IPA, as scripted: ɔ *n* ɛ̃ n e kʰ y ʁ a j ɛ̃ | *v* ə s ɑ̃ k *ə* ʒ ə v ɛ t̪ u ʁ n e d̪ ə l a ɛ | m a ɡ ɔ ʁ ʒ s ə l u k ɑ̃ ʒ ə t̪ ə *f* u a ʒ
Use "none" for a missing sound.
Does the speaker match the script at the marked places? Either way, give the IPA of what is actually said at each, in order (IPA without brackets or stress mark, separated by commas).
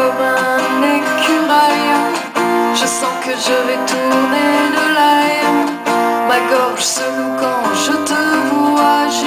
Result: m, ʒ, ə, v